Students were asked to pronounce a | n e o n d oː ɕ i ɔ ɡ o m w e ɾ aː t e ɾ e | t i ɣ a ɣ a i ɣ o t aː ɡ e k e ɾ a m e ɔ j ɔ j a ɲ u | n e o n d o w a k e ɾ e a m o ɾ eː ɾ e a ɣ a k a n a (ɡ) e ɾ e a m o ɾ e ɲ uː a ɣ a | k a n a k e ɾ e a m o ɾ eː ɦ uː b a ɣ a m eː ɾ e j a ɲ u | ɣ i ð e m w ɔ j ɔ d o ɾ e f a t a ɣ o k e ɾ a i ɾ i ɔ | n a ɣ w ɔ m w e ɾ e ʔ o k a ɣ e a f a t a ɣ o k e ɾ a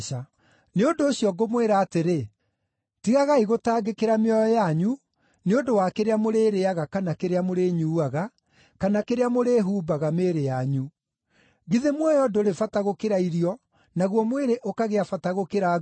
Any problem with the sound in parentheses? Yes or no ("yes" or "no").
yes